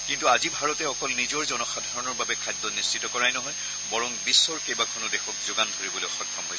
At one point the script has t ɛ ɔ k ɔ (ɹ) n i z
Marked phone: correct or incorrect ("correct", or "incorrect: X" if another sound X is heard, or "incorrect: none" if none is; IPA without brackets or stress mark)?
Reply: incorrect: l